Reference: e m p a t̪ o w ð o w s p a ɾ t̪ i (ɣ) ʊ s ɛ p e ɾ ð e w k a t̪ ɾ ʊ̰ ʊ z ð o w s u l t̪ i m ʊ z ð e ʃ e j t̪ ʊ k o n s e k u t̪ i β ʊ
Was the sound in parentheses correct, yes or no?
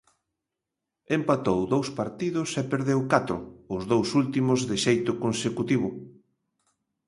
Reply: no